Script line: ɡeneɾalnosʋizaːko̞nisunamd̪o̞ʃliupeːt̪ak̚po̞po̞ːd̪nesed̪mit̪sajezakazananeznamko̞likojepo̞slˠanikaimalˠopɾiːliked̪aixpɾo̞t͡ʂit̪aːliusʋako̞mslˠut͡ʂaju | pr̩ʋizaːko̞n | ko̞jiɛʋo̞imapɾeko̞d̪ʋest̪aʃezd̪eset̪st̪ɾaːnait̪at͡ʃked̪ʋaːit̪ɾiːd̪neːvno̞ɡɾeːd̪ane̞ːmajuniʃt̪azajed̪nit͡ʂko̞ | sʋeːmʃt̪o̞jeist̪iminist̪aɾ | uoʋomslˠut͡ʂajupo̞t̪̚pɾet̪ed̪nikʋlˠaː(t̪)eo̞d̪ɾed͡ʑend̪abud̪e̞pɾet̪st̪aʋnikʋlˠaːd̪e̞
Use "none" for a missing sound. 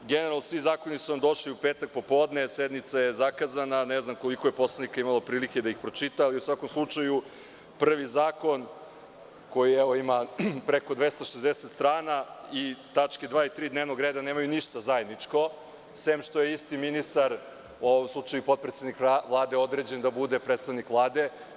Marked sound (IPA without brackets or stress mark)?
d̪